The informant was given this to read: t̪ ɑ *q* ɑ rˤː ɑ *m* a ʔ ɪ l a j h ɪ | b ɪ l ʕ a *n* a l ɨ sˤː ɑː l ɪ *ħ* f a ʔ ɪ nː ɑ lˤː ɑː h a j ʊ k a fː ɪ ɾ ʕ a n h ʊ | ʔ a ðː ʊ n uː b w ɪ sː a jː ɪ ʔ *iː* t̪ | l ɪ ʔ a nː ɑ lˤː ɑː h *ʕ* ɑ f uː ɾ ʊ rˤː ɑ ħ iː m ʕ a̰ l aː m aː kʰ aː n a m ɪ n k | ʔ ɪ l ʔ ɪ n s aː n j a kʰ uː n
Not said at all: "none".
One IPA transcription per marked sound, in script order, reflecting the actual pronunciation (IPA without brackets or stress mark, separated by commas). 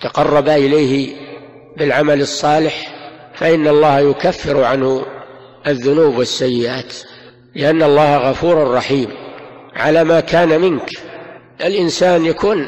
q, b, m, ħ, aː, ɣ